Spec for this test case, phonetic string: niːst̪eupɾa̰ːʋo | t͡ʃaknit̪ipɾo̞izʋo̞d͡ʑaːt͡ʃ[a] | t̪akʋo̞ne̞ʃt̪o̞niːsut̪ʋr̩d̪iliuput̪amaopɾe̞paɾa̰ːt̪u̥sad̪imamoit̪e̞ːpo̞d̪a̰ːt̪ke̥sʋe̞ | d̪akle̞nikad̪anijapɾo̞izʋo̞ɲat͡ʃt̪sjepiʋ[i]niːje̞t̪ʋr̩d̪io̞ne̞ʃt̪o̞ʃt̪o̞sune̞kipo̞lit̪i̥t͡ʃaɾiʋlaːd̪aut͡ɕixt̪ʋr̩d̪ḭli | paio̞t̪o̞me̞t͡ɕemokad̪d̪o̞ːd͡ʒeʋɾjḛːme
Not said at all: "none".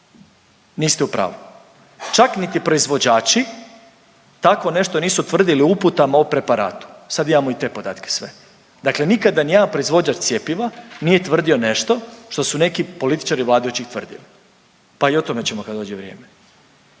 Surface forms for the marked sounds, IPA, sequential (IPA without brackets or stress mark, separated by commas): i, a